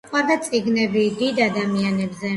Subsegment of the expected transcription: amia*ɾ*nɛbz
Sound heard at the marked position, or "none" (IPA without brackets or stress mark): none